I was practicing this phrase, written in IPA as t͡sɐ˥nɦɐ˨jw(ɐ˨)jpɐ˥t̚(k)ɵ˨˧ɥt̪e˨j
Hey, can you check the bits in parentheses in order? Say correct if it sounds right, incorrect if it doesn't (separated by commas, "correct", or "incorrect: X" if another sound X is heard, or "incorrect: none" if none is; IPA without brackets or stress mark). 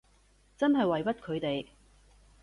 correct, incorrect: kʰ